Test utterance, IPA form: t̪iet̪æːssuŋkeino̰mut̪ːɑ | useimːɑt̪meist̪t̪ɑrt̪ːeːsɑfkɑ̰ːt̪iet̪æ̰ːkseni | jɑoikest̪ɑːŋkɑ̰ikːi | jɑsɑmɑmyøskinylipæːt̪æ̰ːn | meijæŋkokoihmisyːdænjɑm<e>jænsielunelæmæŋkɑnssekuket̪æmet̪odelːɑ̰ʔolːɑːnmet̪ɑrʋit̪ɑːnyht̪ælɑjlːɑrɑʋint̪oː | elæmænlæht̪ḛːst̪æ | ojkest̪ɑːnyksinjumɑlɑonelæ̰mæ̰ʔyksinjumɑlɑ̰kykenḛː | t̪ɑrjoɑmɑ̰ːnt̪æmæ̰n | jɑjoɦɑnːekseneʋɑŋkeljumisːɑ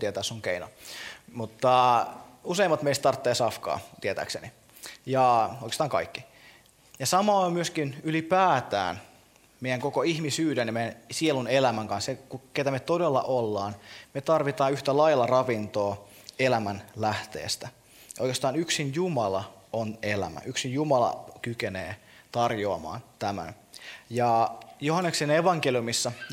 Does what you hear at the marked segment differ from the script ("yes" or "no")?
no